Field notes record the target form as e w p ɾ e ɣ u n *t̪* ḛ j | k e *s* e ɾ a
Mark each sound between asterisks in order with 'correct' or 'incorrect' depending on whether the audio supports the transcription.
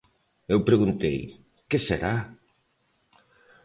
correct, correct

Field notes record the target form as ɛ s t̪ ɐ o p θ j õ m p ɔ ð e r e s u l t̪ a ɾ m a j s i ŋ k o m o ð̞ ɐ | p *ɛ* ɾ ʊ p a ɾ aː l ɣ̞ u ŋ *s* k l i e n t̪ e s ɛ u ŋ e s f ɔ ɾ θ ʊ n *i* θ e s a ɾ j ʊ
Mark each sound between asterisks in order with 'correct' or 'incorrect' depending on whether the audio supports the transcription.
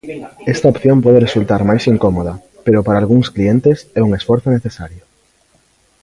incorrect: e, correct, incorrect: e

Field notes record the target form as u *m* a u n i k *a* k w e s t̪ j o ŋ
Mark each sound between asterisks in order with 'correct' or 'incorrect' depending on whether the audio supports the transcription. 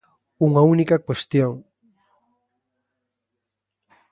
incorrect: ŋ, correct

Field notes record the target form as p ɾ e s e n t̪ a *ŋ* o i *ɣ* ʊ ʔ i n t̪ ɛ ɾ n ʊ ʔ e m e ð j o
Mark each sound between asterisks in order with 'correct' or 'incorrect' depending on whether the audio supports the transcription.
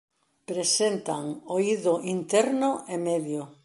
correct, incorrect: ð

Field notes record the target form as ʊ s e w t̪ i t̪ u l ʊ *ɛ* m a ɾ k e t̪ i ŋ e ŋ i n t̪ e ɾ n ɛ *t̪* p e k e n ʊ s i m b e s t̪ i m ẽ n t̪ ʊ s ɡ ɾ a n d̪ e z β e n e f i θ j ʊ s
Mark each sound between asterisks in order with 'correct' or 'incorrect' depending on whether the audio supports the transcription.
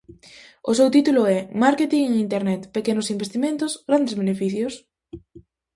correct, correct

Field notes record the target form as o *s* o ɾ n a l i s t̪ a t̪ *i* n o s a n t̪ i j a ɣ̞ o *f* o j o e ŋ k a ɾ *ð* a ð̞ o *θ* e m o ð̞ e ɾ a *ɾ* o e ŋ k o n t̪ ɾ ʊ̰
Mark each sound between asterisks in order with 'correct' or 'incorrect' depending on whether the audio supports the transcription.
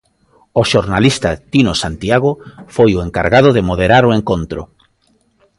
incorrect: ʃ, correct, correct, incorrect: ɣ, incorrect: ð, correct

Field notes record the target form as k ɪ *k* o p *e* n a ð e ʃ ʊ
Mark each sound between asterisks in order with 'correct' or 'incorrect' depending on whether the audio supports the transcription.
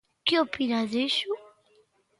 incorrect: none, incorrect: i

